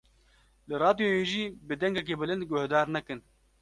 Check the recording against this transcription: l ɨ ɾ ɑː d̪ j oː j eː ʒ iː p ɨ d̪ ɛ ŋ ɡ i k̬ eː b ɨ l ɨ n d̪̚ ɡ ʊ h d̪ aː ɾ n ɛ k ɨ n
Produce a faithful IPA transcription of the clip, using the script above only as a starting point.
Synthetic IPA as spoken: l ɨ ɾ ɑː d̪ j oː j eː ʒ iː b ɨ d̪ ɛ ŋ ɡ ɛ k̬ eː b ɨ l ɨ n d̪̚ ɡ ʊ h d̪ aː ɾ n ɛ k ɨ n